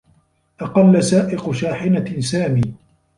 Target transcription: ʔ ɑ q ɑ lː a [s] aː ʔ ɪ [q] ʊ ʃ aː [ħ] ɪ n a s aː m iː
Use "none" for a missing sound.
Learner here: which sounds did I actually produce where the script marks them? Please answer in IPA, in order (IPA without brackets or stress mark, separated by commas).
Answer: s, q, ħ